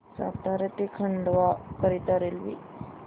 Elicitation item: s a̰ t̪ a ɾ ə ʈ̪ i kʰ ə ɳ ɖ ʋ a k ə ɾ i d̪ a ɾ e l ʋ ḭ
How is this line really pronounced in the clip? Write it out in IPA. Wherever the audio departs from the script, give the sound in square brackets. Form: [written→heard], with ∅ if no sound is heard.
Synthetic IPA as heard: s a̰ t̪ a ɾ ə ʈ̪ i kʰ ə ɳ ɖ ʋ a k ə ɾ i [d̪→t̪] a ɾ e l ʋ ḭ